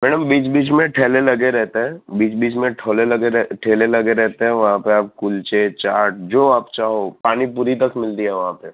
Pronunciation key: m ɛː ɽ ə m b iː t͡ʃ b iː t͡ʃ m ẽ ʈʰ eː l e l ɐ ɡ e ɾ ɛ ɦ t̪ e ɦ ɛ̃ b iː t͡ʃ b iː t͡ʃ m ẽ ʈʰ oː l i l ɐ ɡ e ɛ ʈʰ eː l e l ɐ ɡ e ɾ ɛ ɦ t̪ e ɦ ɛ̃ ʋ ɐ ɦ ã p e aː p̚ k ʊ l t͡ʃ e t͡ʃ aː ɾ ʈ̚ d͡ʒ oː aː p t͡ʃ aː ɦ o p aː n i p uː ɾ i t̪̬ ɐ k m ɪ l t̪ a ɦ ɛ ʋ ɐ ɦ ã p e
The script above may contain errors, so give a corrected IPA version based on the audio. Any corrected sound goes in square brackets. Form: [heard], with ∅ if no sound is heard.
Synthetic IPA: m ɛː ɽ ə m b iː t͡ʃ b iː t͡ʃ m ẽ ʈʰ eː l e l ɐ ɡ e ɾ ɛ ɦ t̪ e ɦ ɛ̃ b iː t͡ʃ b iː t͡ʃ m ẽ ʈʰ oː l [e] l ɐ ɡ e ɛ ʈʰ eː l e l ɐ ɡ e ɾ ɛ ɦ t̪ e ɦ ɛ̃ ʋ ɐ ɦ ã p e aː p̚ k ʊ l t͡ʃ e t͡ʃ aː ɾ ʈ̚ d͡ʒ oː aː p t͡ʃ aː ɦ o p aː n i p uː ɾ i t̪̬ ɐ k m ɪ l t̪ [i] ɦ ɛ ʋ ɐ ɦ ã p e